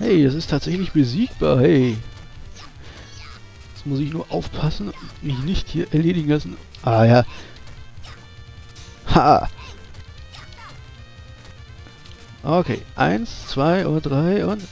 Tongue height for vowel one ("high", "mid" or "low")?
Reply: mid